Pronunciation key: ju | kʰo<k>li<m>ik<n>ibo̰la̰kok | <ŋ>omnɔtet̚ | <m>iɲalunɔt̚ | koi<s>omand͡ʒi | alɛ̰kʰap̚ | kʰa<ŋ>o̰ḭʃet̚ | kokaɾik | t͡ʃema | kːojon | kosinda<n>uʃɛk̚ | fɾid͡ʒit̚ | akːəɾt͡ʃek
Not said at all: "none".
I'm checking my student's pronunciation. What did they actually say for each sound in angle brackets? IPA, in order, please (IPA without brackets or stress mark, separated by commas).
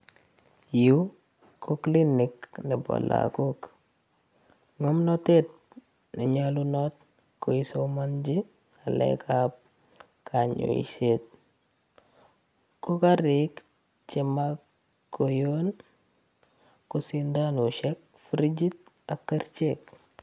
k, n, n, ŋ, n, s, ɲ, n